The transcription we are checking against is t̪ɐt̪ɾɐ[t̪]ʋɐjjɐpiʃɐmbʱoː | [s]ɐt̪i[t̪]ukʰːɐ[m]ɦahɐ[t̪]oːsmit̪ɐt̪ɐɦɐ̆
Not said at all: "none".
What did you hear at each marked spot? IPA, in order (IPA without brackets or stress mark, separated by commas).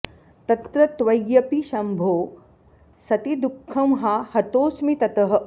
t̪, s, d̪, m, t̪